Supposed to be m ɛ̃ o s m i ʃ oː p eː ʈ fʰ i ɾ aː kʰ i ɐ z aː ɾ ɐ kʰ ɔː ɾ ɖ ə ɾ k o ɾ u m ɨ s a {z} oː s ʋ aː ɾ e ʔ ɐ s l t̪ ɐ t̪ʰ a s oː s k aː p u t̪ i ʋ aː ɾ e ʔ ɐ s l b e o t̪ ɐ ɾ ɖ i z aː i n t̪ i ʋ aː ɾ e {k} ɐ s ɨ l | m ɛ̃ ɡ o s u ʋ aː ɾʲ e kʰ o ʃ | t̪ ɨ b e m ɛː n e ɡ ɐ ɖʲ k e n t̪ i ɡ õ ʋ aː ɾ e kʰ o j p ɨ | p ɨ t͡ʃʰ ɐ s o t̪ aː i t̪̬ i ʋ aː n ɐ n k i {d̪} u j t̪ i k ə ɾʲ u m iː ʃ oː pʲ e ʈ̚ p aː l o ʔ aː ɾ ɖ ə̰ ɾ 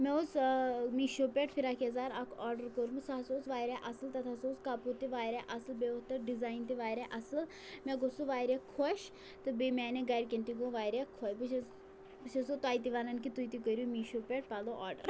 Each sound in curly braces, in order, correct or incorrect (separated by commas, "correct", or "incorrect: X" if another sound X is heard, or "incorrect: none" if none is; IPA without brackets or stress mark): incorrect: s, incorrect: ʔ, incorrect: t̪